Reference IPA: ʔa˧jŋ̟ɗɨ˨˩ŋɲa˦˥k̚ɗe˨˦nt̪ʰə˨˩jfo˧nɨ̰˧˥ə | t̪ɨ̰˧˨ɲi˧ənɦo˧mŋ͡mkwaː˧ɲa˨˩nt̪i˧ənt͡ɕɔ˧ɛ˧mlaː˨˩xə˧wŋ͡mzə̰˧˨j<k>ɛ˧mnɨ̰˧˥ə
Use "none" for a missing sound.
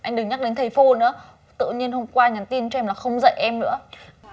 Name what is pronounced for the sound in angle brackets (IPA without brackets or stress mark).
ʔ